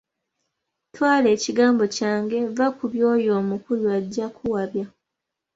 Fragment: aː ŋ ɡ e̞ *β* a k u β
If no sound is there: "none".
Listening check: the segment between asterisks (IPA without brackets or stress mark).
v